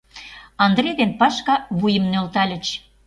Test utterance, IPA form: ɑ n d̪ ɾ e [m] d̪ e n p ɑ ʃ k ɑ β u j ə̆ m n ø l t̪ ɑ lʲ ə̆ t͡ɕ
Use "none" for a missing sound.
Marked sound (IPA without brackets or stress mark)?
none